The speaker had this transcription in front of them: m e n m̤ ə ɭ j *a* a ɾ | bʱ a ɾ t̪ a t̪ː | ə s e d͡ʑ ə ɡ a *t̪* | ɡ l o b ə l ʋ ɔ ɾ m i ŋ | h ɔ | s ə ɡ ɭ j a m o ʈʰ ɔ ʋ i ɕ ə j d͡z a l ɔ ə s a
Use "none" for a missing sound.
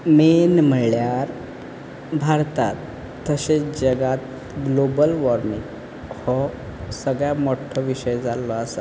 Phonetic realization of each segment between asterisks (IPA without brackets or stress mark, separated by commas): a, t̪